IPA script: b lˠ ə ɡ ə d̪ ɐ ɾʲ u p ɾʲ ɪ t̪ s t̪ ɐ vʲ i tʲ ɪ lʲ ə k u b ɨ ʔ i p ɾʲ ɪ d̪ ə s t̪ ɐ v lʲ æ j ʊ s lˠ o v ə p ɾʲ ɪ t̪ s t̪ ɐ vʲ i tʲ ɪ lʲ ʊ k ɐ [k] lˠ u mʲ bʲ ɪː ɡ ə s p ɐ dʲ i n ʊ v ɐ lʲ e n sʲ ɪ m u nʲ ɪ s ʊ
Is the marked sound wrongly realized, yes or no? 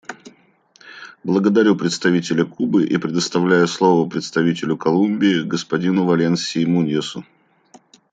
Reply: yes